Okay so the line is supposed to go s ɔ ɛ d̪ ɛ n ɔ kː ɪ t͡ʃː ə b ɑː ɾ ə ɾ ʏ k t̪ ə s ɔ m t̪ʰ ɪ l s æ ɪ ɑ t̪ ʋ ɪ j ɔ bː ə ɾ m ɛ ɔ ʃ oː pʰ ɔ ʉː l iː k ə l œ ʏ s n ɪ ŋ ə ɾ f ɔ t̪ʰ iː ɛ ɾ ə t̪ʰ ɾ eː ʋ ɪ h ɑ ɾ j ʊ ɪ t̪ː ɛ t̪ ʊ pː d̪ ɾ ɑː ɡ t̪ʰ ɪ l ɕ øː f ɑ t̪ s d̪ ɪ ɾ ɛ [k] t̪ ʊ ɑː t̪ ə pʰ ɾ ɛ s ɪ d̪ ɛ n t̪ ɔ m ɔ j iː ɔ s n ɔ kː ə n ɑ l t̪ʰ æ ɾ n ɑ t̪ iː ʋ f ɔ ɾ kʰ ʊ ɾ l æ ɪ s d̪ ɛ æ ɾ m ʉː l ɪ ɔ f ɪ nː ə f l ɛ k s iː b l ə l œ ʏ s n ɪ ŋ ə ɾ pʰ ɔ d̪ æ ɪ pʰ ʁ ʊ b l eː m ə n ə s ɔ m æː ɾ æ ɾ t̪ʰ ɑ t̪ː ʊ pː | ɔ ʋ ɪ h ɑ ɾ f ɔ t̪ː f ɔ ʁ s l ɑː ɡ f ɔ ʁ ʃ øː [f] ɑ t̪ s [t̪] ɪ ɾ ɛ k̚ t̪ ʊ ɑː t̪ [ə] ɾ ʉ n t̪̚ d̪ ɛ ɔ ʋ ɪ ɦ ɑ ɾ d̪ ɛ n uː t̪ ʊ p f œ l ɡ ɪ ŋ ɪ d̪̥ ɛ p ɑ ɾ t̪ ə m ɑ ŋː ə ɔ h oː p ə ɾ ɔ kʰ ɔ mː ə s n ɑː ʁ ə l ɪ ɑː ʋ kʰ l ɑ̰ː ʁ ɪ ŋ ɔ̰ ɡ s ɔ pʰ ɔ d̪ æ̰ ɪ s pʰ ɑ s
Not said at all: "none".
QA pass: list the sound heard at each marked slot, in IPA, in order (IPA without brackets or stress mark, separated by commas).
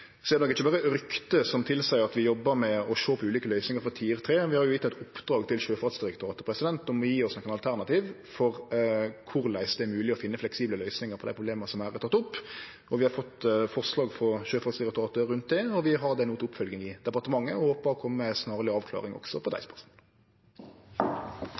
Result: k, f, d̪, ə